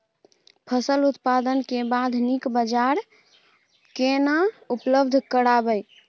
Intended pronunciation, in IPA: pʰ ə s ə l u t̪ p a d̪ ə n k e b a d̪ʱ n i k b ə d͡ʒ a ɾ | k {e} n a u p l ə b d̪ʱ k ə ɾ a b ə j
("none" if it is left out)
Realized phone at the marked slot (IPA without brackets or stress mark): e